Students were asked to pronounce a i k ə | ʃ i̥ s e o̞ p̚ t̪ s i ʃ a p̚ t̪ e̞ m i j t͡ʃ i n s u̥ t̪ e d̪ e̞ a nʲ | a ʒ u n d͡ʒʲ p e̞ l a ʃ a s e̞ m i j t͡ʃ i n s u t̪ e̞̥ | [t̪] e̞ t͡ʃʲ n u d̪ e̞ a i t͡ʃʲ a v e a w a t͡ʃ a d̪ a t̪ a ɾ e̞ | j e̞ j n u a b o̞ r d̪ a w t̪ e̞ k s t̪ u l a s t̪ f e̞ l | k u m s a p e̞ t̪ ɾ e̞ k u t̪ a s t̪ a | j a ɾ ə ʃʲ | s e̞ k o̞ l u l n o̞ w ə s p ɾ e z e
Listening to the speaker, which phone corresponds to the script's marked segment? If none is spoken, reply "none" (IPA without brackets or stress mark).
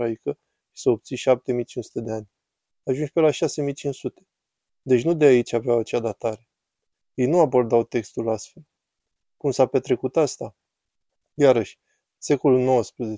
d̪